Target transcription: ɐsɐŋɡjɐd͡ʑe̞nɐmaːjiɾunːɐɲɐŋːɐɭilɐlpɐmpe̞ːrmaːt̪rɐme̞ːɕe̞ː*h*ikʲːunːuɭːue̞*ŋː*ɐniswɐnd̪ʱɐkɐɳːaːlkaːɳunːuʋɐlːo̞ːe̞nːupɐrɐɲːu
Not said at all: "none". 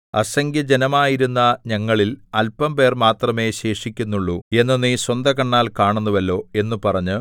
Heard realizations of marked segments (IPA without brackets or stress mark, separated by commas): ʂ, nː